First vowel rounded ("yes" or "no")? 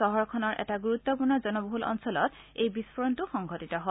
yes